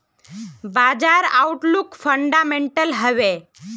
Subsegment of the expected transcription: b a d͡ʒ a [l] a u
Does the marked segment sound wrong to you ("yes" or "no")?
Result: yes